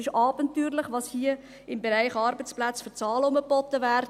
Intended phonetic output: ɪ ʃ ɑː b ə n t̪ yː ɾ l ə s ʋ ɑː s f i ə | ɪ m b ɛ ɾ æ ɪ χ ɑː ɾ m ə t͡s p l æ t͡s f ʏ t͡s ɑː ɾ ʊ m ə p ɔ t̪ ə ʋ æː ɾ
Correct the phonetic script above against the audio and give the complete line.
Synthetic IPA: ɪ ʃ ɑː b ə n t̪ yː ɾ l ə χ ʋ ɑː s h i ə | ɪ m b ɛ ɾ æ ɪ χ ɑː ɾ b ə t͡s p l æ t͡s f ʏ t͡s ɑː l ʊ m ə p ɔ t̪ ə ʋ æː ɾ